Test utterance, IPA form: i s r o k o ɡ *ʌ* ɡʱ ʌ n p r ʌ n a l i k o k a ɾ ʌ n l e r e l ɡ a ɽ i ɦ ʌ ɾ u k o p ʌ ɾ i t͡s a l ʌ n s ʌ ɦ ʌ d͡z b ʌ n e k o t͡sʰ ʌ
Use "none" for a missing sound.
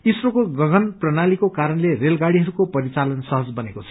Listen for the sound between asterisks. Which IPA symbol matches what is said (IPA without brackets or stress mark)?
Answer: ʌ